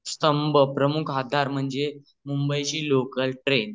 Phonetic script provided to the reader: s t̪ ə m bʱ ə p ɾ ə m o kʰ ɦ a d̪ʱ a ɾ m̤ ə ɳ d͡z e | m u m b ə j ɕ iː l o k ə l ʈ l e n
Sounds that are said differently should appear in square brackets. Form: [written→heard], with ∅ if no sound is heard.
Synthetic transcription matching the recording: s t̪ ə m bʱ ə p ɾ ə m [o→u] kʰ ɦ a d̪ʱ a ɾ m̤ ə ɳ d͡z e | m u m b ə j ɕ iː l o k ə l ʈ [l→ɾ] e n